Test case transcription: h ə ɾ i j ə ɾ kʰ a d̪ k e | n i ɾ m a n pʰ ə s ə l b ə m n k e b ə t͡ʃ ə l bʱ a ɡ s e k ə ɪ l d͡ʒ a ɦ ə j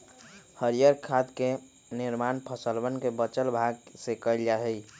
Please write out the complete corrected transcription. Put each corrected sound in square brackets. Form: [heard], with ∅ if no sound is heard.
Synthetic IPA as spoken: h ə ɾ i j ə ɾ kʰ a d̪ k e | n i ɾ m a n pʰ ə s ə l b ə [∅] n k e b ə t͡ʃ ə l bʱ a ɡ s e k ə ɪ l d͡ʒ a ɦ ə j